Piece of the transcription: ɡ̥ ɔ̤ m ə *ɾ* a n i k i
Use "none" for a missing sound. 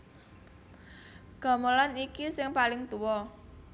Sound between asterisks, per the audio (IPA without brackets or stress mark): l